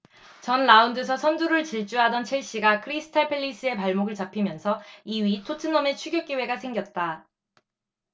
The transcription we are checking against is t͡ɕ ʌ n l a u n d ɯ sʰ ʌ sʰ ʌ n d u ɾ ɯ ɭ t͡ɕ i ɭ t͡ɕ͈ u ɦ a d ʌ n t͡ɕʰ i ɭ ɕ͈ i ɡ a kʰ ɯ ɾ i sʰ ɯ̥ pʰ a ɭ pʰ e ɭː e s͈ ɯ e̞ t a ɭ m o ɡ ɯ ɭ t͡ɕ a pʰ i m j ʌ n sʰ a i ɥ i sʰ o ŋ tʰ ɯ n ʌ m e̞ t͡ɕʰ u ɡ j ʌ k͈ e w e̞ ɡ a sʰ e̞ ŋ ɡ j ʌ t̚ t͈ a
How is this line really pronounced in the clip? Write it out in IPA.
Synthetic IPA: t͡ɕ ʌ n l a u n d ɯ sʰ ʌ sʰ ʌ n d u ɾ ɯ ɭ t͡ɕ i ɭ t͡ɕ͈ u ɦ a d ʌ n t͡ɕʰ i ɭ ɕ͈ i ɡ a kʰ ɯ ɾ i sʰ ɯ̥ tʰ a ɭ pʰ e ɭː i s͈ ɯ e̞ p a ɭ m o ɡ ɯ ɭ t͡ɕ a pʰ i m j ʌ n sʰ ʌ i ɥ i tʰ o tʰ ɯ n ʌ m e̞ t͡ɕʰ u ɡ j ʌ k͈ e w e̞ ɡ a sʰ e̞ ŋ ɡ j ʌ t̚ t͈ a

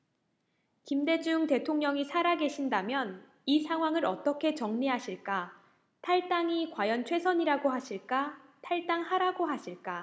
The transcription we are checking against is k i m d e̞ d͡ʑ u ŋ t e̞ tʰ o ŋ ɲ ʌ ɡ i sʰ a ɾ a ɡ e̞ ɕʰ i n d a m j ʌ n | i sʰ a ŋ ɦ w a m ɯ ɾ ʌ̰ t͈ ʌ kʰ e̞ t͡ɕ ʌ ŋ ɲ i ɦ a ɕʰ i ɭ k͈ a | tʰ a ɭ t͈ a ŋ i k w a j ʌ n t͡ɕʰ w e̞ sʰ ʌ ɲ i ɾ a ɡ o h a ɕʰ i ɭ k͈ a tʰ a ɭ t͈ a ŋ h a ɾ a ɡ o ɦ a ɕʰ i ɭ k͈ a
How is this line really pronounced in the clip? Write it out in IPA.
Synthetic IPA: k i m d e̞ d͡ʑ u ŋ t e̞ tʰ o ŋ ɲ ʌ ŋ i sʰ a ɾ a ɡ e̞ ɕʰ i n d a m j ʌ n | i sʰ a ŋ ɦ w a ŋ ɯ ɾ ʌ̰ t͈ ʌ kʰ e̞ t͡ɕ ʌ ŋ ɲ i ɦ a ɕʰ i ɭ k͈ a | tʰ a ɭ t͈ a ŋ i k w a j ʌ n t͡ɕʰ w e̞ sʰ ʌ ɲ i ɾ a ɡ o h a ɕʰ i ɭ k͈ a tʰ a ɭ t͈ a ŋ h a ɾ a ɡ o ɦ a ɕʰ i ɭ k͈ a

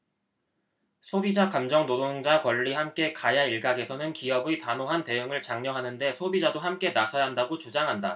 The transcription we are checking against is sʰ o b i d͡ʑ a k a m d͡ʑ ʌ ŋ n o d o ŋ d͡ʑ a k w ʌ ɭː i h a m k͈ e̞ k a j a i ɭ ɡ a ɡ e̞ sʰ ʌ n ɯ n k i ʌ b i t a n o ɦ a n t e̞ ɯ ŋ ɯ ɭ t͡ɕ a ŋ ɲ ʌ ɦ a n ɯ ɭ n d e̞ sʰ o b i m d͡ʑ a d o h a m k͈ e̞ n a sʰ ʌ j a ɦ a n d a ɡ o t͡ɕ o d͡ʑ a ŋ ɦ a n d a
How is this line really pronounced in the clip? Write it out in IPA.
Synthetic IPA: sʰ o b i d͡ʑ a k a m d͡ʑ ʌ ŋ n o d o ŋ d͡ʑ a k w ʌ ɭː i h a m k͈ e̞ k a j a i ɭ ɡ a ɡ e̞ sʰ ʌ n ɯ n k i ʌ b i t a n o ɦ a n t e̞ ɯ ŋ ɯ ɭ t͡ɕ a ŋ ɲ ʌ ɦ a n ɯ n d e̞ sʰ o b i d͡ʑ a d o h a m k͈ e̞ n a sʰ ʌ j a ɦ a n d a ɡ o t͡ɕ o d͡ʑ a ŋ ɦ a n d a

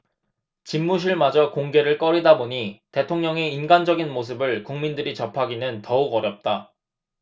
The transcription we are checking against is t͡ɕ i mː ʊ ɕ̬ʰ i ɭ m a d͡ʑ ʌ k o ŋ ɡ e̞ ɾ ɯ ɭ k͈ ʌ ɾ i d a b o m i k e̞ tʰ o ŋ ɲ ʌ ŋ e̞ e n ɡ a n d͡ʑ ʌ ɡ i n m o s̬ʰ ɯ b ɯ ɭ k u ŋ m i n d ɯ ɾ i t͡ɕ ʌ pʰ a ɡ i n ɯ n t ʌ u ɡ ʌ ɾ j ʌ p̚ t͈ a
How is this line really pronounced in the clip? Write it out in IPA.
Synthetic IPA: t͡ɕ i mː u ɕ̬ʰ i ɭ m a d͡ʑ ʌ k o ŋ ɡ e̞ ɾ ɯ ɭ k͈ ʌ ɾ i d a b o ɲ i t e̞ tʰ o ŋ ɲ ʌ ŋ e̞ i n ɡ a n d͡ʑ ʌ ɡ i n m o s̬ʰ ɯ b ɯ ɭ k u ŋ m i n d ɯ ɾ i t͡ɕ ʌ pʰ a ɡ i n ɯ n t ʌ u ɡ ʌ ɾ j ʌ p̚ t͈ a

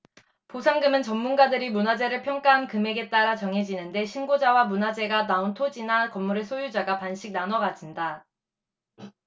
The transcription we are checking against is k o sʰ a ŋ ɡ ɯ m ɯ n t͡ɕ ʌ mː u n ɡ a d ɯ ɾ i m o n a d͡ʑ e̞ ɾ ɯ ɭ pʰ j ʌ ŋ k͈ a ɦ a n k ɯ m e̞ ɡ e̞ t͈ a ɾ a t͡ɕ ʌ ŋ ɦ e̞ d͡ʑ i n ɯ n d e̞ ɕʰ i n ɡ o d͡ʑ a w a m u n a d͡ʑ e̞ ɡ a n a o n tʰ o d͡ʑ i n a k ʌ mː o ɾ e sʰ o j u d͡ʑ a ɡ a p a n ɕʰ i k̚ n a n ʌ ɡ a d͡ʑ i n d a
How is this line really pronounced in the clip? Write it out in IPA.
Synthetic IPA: p o sʰ a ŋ ɡ ɯ m ɯ n t͡ɕ ʌ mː u n ɡ a d ɯ ɾ i m u n a d͡ʑ e̞ ɾ ɯ ɭ pʰ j ʌ ŋ k͈ a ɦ a n k ɯ m e̞ ɡ e̞ t͈ a ɾ a t͡ɕ ʌ ŋ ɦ e̞ d͡ʑ i n ɯ n d e̞ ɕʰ i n ɡ o d͡ʑ a w a m u n a d͡ʑ e̞ ɡ a n a o n tʰ o d͡ʑ i n a k ʌ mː u ɾ e sʰ o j u d͡ʑ a ɡ a p a n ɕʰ i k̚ n a n ʌ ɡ a d͡ʑ i n d a

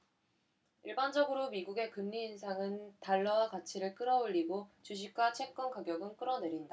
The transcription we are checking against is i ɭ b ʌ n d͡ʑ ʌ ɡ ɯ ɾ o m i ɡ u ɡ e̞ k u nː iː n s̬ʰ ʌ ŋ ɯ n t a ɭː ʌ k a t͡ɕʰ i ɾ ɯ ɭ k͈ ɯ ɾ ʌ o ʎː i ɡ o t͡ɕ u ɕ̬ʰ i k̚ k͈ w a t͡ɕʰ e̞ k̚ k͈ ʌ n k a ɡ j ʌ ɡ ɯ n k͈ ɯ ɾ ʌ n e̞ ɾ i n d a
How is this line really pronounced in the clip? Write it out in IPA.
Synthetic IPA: i ɭ b a n d͡ʑ ʌ ɡ ɯ ɾ o m i ɡ u ɡ e̞ k ɯ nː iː n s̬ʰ a ŋ ɯ n t a ɭː ʌ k a t͡ɕʰ i ɾ ɯ ɭ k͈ ɯ ɾ ʌ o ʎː i ɡ o t͡ɕ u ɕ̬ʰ i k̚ k͈ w a t͡ɕʰ e̞ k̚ k͈ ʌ n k a ɡ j ʌ ɡ ɯ n k͈ ɯ ɾ ʌ n e̞ ɾ i n d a

